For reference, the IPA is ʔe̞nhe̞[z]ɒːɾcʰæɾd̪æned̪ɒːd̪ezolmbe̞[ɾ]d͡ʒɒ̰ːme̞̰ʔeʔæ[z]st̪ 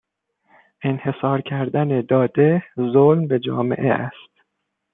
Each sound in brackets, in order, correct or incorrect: incorrect, incorrect, incorrect

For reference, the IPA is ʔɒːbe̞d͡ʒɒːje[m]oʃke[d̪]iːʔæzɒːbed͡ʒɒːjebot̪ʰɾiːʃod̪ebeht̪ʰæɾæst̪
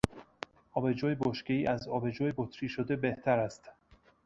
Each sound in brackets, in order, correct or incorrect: incorrect, incorrect

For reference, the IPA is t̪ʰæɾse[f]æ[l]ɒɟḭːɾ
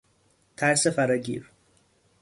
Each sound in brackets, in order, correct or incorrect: correct, incorrect

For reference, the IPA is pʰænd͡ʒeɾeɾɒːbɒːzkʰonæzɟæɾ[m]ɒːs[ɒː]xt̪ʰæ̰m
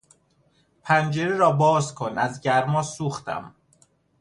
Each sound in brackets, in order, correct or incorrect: correct, incorrect

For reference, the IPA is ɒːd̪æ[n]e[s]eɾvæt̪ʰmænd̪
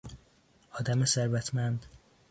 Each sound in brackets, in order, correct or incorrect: incorrect, correct

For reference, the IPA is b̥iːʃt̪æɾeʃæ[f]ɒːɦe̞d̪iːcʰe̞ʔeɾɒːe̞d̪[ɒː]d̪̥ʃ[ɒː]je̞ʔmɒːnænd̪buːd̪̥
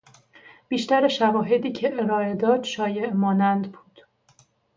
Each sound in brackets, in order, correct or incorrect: incorrect, correct, correct

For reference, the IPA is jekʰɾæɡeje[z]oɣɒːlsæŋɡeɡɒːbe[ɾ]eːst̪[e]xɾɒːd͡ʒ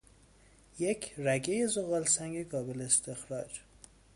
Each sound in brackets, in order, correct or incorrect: correct, incorrect, correct

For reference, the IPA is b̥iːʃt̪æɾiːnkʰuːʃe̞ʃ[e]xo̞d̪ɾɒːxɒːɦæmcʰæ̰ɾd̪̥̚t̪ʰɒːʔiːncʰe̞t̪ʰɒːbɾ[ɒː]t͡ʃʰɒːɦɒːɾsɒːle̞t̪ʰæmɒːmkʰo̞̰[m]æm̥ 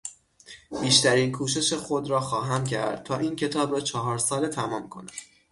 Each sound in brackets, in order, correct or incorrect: correct, correct, incorrect

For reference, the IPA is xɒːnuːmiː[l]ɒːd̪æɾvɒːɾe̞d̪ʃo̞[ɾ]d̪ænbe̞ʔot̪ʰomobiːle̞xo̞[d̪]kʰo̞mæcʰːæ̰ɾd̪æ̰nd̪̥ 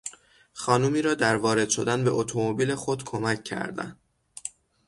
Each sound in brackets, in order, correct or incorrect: incorrect, incorrect, correct

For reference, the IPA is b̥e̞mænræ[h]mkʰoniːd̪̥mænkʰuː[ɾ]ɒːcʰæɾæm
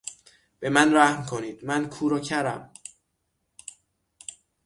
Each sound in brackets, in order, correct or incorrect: correct, correct

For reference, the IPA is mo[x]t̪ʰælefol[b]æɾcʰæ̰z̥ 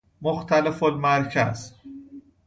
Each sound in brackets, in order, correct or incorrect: correct, incorrect

